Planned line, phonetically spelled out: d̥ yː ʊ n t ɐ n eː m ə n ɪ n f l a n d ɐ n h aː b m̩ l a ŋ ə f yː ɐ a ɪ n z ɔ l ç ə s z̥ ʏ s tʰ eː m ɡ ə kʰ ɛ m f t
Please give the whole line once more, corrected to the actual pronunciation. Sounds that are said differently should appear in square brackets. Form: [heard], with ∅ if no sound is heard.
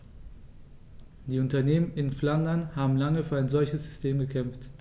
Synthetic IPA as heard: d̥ [iː] ʊ n t ɐ n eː m ə n ɪ n f l a n d ɐ n h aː b m̩ l a ŋ ə f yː ɐ a ɪ n z ɔ l ç ə s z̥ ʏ s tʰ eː m ɡ ə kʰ ɛ m f t